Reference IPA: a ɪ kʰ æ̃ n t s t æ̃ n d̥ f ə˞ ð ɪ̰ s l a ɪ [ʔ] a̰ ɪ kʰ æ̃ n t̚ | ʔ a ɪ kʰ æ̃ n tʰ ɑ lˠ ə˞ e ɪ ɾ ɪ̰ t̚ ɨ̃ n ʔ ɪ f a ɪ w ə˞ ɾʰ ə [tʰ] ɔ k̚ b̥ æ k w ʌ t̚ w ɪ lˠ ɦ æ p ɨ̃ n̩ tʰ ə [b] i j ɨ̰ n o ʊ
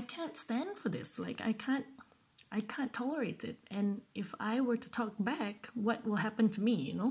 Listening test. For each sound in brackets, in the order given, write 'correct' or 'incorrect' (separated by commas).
incorrect, correct, incorrect